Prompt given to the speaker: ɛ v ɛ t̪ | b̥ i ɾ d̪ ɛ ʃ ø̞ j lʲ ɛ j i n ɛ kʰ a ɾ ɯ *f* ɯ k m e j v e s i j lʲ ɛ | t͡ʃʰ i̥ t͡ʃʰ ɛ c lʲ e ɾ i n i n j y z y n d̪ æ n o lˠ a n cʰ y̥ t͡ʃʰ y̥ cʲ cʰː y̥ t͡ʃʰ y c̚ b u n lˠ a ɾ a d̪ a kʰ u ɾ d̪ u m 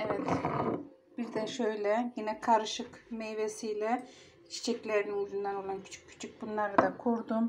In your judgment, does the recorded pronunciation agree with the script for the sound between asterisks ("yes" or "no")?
no